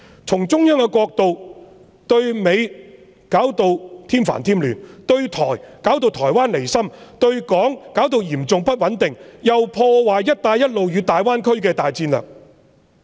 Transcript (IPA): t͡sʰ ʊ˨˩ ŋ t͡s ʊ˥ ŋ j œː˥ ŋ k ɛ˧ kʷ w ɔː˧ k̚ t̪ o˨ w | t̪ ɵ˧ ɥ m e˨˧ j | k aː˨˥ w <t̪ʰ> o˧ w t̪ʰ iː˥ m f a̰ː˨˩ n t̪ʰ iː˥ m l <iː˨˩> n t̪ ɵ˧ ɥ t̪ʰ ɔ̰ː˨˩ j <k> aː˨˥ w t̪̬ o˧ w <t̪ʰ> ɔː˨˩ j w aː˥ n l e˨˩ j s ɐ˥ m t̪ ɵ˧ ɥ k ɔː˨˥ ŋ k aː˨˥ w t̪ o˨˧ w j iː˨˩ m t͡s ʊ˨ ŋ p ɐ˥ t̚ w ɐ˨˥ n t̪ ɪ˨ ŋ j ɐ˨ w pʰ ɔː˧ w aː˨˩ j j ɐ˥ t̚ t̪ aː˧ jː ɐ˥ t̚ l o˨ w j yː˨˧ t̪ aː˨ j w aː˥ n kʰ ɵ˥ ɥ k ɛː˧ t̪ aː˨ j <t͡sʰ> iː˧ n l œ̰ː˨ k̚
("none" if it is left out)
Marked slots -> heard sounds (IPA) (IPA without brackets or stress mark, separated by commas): t̪, yː˨˩, k, t̪ʰ, t͡s